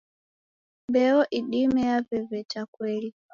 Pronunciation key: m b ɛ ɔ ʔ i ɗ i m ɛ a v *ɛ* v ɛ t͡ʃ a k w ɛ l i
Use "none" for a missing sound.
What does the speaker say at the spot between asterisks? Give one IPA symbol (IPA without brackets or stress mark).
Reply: ɛ